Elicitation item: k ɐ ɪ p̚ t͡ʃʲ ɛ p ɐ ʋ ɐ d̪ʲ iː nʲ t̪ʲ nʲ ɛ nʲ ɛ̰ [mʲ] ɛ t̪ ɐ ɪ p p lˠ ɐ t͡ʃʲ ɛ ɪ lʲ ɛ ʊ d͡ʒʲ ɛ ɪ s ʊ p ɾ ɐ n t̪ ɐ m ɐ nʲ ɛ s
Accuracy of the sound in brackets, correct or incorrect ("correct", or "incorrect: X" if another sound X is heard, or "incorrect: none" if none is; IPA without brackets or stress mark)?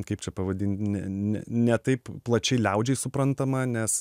incorrect: nʲ